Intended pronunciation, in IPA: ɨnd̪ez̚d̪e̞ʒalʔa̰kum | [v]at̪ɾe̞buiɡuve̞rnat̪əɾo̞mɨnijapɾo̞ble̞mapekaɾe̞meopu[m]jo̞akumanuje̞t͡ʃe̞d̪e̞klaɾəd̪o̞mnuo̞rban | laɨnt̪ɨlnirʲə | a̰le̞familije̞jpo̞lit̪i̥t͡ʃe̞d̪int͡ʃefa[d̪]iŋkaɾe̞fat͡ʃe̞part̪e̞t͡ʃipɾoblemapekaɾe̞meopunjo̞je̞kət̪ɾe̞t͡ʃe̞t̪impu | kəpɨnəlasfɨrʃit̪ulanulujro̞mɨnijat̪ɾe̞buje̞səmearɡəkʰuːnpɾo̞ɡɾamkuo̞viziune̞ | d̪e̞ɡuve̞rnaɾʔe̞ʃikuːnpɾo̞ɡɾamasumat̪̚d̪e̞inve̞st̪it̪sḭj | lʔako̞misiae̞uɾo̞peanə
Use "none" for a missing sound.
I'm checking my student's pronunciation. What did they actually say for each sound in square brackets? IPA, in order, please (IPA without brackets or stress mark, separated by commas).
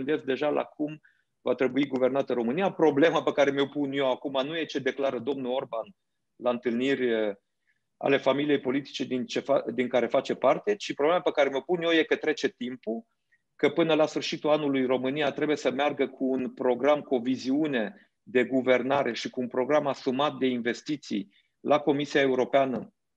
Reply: v, n, d̪